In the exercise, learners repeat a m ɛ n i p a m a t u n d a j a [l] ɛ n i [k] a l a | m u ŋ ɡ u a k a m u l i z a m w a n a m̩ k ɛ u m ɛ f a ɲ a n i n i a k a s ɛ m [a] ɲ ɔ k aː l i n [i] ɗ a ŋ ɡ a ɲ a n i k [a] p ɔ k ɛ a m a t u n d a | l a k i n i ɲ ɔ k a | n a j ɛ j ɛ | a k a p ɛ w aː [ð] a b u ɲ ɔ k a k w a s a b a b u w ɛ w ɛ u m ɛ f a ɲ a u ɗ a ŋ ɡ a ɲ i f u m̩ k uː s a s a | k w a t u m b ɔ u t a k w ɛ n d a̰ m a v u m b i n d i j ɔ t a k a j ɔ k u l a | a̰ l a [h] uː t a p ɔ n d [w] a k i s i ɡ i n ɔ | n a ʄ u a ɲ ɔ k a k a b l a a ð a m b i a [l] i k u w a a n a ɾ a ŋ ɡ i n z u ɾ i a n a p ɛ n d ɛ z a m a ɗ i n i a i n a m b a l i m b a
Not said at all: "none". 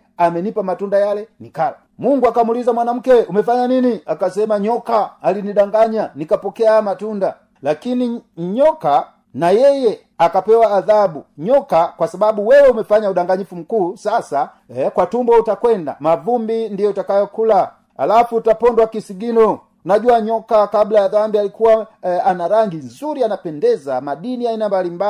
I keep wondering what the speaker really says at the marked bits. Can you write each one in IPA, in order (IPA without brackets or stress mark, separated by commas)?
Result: l, k, a, i, a, ð, f, w, l